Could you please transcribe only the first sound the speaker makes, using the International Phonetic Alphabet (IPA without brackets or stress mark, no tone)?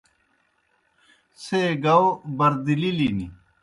s